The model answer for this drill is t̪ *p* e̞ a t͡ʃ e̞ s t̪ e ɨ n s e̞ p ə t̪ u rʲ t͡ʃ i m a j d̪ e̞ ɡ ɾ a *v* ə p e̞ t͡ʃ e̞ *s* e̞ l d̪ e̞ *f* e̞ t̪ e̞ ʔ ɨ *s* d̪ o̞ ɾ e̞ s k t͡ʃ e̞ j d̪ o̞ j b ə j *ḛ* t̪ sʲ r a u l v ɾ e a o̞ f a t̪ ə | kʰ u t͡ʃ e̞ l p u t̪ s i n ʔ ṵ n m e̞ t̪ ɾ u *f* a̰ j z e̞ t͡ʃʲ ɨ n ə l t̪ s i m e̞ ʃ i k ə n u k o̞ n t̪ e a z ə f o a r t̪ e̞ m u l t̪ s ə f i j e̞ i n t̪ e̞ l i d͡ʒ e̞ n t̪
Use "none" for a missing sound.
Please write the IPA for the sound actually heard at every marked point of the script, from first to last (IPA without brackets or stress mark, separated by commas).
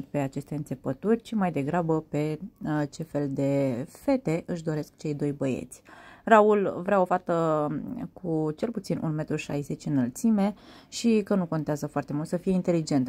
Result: p, b, f, f, ʃ, ḛ, ʃ